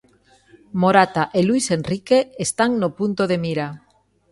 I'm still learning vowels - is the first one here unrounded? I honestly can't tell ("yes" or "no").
no